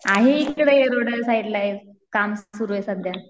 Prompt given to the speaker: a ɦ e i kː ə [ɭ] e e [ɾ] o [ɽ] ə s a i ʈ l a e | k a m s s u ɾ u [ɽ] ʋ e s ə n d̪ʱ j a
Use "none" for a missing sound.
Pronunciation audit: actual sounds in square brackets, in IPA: ɽ, ɾ, ɽ, none

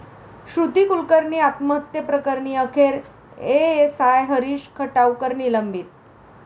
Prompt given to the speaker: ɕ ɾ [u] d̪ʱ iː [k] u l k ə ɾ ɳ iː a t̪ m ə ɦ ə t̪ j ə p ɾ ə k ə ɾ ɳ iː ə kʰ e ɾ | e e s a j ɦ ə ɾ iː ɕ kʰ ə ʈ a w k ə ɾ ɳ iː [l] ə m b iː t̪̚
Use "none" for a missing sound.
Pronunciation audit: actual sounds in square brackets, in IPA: u, k, l

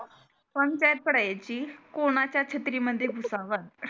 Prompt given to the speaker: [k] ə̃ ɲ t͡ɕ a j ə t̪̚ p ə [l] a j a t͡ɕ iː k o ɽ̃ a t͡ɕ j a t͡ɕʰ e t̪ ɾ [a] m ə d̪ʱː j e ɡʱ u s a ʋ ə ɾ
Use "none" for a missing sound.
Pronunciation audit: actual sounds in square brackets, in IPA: p, ɽ, i

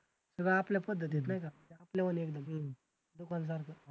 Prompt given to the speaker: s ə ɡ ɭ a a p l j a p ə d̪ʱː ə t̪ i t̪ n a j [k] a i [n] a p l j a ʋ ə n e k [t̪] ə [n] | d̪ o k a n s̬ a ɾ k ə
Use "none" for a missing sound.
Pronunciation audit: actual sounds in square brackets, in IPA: k, none, d̪, m

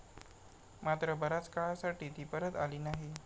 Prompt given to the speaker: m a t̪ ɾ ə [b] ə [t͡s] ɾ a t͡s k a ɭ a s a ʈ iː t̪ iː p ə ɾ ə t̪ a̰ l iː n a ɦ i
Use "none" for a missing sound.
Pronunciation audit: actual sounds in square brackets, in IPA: b, none

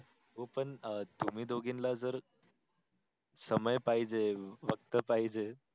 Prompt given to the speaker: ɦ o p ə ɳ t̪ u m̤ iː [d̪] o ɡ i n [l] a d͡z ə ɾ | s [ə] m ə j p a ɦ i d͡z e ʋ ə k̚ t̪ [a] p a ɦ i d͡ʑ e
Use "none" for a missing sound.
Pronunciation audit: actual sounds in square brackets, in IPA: d̪, l, ə, ə

